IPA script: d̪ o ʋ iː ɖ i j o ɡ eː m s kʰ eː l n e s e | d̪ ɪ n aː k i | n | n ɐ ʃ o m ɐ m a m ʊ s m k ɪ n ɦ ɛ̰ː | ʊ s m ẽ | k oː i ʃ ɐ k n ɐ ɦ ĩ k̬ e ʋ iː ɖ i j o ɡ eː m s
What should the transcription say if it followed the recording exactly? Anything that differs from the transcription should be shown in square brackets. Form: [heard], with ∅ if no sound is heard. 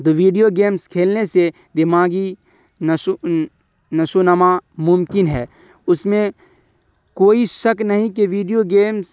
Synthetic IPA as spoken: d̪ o ʋ iː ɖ i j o ɡ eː m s kʰ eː l n e s e | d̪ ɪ [m] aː [ɡ] i | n | n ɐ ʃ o [n] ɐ m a m ʊ [∅] m k ɪ n ɦ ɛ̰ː | ʊ s m ẽ | k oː i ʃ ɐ k n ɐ ɦ ĩ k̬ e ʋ iː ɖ i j o ɡ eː m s

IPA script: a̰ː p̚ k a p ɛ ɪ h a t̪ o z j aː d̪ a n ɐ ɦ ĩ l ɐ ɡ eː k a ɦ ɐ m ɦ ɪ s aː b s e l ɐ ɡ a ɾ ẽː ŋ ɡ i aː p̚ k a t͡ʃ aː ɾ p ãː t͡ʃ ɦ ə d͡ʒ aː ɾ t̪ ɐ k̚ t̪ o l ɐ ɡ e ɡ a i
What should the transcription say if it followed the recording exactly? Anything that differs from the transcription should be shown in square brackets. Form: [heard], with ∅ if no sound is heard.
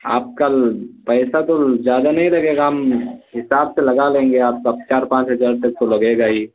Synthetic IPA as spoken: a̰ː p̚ k a p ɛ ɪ [s] a t̪ o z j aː d̪ a n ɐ ɦ ĩ l ɐ ɡ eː [ɡ] a ɦ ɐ m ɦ ɪ s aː b s e l ɐ ɡ a [l] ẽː ŋ ɡ [e] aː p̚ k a t͡ʃ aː ɾ p ãː t͡ʃ ɦ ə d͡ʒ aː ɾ t̪ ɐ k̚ t̪ o l ɐ ɡ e ɡ a i

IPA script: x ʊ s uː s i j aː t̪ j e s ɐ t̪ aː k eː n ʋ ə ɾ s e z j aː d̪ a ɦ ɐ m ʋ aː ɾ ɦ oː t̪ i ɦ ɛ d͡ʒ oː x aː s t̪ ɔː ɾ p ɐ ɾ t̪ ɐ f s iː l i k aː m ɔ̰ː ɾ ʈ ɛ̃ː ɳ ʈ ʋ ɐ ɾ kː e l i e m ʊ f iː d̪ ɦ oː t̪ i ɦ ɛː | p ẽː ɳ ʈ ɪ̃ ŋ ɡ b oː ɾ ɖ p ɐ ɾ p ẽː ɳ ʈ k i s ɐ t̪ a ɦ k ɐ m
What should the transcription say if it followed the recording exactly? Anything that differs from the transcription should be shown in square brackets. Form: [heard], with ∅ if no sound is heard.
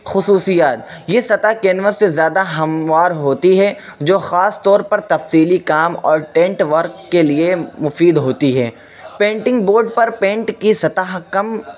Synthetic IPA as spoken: x ʊ s uː s i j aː t̪ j e s ɐ t̪ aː k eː n ʋ ə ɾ s e z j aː d̪ a ɦ ɐ m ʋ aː ɾ ɦ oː t̪ i ɦ ɛ d͡ʒ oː x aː s t̪ ɔː ɾ p ɐ ɾ t̪ ɐ f s iː l i k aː m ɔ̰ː ɾ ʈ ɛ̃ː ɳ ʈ ʋ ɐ ɾ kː e l i e m ʊ f iː d̪ ɦ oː t̪ i ɦ ɛː | p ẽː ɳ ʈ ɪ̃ ŋ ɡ b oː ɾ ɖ p ɐ ɾ p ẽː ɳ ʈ k i s ɐ t̪ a ɦ k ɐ m

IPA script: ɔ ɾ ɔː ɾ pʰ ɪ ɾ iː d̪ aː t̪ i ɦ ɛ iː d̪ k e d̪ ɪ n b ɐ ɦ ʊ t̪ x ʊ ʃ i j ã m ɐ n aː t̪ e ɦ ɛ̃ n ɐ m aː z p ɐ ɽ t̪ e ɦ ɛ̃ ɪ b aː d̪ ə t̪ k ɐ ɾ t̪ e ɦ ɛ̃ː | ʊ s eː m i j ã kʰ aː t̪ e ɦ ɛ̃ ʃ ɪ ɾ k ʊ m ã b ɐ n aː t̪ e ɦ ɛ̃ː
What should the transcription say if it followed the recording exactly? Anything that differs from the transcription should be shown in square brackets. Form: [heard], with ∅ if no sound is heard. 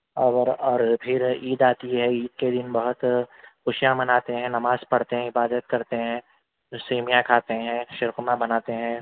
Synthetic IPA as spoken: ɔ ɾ ɔː ɾ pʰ ɪ ɾ iː d̪ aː t̪ i ɦ ɛ iː d̪ k e d̪ ɪ n b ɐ ɦ ʊ t̪ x ʊ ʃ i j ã m ɐ n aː t̪ e ɦ ɛ̃ n ɐ m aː z p ɐ ɽ t̪ e ɦ ɛ̃ ɪ b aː d̪ ə t̪ k ɐ ɾ t̪ e ɦ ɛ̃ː | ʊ s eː m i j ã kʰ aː t̪ e ɦ ɛ̃ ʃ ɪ ɾ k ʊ m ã b ɐ n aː t̪ e ɦ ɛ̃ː

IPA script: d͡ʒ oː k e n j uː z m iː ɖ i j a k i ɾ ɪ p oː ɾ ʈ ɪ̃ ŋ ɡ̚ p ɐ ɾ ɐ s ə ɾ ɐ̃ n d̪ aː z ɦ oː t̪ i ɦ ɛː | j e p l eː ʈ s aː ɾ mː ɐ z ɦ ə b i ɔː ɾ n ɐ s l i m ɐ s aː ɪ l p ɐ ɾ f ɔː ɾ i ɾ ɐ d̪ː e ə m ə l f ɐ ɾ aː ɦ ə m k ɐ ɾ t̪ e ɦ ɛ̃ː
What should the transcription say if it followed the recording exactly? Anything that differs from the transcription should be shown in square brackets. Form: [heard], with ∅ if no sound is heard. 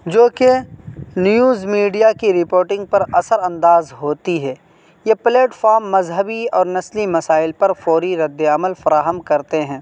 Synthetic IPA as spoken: d͡ʒ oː k e n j uː z m iː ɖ i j a k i ɾ ɪ p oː ɾ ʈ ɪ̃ ŋ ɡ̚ p ɐ ɾ ɐ s ə ɾ ɐ̃ n d̪ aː z ɦ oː t̪ i ɦ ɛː | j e p l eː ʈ [f] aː ɾ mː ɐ z ɦ ə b i ɔː ɾ n ɐ s l i m ɐ s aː ɪ l p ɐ ɾ f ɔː ɾ i ɾ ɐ d̪ː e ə m ə l f ɐ ɾ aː ɦ ə m k ɐ ɾ t̪ e ɦ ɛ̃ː

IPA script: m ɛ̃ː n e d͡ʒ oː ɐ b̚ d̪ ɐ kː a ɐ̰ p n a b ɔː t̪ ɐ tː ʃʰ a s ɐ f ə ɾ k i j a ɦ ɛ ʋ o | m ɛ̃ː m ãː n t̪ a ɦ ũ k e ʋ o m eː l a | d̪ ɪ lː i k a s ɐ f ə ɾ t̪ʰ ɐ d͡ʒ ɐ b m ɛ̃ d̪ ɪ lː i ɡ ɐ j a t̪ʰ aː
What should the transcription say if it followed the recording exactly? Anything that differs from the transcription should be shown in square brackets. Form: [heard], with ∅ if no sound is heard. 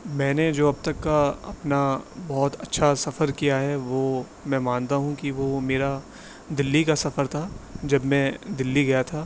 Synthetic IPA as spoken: m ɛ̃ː n e d͡ʒ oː ɐ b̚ [t̪] ɐ kː a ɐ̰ p n a b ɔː t̪ ɐ tː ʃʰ a s ɐ f ə ɾ k i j a ɦ ɛ ʋ o | m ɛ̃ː m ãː n t̪ a ɦ ũ k [i] ʋ o m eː [ɾ] a | d̪ ɪ lː i k a s ɐ f ə ɾ t̪ʰ [a] d͡ʒ ɐ b m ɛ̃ d̪ ɪ lː i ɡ ɐ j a t̪ʰ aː

